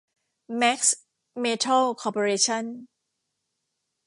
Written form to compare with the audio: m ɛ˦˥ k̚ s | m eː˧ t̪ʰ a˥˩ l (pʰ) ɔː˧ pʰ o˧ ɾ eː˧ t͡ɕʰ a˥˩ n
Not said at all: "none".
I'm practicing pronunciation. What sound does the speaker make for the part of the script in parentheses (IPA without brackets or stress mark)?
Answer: kʰ